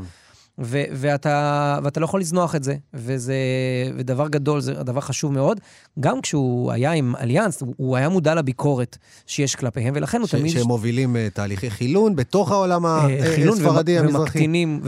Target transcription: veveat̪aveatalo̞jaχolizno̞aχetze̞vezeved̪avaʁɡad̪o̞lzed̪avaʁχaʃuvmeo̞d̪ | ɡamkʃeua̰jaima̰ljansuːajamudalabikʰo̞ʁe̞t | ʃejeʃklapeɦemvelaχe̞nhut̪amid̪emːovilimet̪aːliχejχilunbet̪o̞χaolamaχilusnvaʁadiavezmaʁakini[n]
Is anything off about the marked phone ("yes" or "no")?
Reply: yes